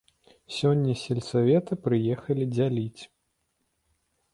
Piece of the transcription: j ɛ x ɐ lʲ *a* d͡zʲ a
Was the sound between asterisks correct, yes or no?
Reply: no